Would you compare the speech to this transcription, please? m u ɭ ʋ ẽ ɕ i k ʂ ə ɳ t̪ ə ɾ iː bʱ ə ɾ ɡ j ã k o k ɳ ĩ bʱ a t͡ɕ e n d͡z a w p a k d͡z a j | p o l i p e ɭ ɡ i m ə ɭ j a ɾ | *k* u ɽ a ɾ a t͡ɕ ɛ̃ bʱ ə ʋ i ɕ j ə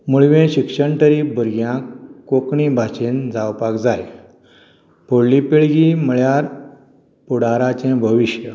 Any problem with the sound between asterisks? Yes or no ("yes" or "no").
yes